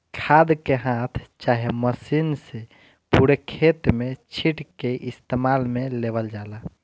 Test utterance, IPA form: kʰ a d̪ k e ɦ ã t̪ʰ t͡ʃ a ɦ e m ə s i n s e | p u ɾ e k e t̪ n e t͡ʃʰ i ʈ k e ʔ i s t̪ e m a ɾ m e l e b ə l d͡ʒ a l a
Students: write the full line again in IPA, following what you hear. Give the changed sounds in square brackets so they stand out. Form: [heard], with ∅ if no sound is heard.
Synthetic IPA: kʰ a d̪ k e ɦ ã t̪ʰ t͡ʃ a ɦ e m ə s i n s e | p u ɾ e [kʰ] e t̪ [m] e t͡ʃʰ i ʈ k e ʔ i s t̪ e m a [l] m e l e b ə l d͡ʒ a l a